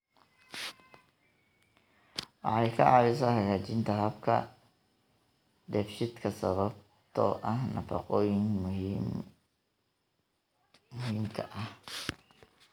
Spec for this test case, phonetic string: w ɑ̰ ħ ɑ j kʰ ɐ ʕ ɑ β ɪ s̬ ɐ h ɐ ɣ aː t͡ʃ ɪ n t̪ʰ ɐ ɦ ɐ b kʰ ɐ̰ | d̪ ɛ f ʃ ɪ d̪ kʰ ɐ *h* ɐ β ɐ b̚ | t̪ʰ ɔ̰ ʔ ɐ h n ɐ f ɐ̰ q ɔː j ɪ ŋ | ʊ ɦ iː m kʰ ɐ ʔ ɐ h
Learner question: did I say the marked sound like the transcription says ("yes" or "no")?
no